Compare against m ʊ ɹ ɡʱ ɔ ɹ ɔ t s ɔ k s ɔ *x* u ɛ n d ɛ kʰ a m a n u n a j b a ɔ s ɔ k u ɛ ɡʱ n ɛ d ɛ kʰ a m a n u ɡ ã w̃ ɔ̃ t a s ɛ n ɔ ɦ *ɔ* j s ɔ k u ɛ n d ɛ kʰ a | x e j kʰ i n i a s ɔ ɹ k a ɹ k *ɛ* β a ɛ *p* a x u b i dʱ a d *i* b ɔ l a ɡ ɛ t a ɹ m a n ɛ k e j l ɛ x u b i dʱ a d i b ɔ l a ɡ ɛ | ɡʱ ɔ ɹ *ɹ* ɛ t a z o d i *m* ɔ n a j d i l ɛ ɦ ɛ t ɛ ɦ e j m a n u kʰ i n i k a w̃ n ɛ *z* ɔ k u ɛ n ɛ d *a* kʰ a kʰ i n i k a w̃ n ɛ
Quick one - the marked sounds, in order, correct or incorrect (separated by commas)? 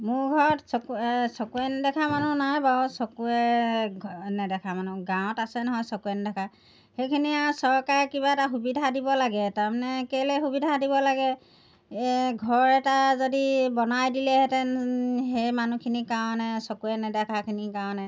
incorrect, correct, incorrect, incorrect, correct, correct, incorrect, incorrect, incorrect